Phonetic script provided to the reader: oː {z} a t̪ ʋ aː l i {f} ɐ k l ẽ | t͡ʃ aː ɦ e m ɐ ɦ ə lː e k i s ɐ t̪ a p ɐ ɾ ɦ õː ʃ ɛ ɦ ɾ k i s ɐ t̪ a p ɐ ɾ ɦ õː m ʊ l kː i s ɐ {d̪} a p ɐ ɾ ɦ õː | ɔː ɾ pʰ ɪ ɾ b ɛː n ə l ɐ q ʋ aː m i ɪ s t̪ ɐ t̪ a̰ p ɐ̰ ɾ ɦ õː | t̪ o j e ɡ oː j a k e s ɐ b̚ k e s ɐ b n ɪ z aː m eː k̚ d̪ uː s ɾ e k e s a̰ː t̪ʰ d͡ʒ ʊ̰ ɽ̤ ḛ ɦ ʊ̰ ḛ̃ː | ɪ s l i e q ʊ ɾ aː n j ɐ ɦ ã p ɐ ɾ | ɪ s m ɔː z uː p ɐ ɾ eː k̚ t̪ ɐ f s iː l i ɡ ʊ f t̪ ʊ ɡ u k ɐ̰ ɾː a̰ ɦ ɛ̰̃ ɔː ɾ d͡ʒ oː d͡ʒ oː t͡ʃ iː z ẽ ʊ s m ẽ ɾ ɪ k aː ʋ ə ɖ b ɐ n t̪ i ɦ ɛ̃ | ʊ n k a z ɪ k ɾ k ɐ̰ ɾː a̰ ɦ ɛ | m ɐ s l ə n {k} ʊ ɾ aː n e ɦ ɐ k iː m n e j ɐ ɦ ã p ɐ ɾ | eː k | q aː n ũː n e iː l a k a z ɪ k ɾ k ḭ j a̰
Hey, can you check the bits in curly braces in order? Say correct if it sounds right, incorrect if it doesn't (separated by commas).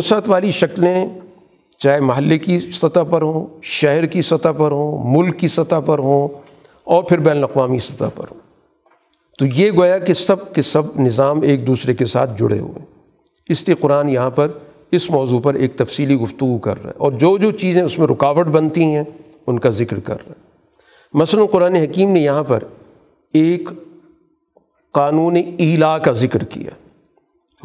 incorrect, incorrect, incorrect, incorrect